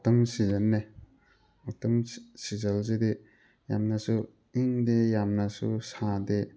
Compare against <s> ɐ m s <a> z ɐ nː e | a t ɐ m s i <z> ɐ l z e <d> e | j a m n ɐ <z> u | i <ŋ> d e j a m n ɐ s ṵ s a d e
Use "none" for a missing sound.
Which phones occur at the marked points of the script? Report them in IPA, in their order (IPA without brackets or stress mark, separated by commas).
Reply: t, i, z, d, s, ŋ